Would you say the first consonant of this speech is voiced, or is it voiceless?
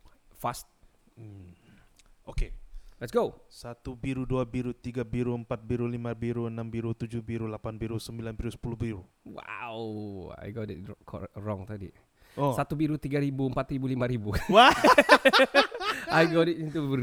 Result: voiceless